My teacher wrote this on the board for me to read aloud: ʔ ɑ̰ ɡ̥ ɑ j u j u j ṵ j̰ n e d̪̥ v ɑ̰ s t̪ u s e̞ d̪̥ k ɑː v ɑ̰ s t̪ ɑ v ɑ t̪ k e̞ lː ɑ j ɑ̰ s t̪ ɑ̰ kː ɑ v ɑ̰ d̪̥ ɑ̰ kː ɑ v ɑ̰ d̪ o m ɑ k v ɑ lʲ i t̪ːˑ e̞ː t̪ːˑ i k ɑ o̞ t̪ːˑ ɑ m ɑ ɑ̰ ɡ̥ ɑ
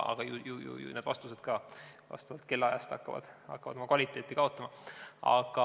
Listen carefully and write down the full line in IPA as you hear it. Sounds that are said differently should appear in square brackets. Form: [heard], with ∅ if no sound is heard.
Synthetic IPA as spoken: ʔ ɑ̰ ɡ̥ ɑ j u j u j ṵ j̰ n e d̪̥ v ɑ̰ s t̪ u s e̞ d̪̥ k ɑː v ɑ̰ s t̪ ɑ v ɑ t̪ k e̞ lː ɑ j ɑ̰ s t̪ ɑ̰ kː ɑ v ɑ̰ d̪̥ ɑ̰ kː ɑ v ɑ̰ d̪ o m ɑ k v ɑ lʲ i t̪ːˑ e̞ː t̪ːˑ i k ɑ o̞ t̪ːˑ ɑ m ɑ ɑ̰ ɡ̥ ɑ